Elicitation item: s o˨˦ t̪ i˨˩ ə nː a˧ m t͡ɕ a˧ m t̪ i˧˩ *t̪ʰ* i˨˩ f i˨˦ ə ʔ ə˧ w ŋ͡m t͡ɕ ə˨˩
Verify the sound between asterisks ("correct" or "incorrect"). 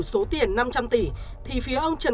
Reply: correct